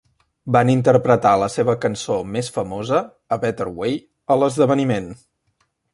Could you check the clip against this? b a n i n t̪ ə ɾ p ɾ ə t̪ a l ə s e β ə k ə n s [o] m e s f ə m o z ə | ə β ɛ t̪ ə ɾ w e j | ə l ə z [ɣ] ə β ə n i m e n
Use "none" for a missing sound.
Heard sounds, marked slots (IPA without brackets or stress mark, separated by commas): o, ð